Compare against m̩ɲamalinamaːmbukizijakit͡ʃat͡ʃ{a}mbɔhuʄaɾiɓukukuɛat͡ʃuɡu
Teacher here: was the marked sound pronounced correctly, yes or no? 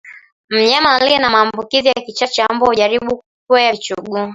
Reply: yes